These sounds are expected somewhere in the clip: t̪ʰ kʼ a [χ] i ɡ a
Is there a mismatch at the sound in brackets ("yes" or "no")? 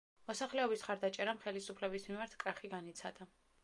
no